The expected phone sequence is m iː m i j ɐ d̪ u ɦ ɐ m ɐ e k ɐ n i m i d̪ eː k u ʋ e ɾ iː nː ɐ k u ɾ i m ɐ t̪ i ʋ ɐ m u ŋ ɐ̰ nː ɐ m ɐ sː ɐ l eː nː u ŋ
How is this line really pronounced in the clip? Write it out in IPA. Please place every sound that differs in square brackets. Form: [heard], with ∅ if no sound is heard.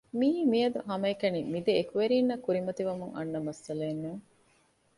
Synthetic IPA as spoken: m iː m i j ɐ d̪ u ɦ ɐ m ɐ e k ɐ n i m i d̪ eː k u ʋ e ɾ iː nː ɐ k u ɾ i m ɐ t̪ i ʋ ɐ m u ŋ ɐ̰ nː ɐ m ɐ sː ɐ l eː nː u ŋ